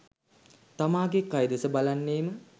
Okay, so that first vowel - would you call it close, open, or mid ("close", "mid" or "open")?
open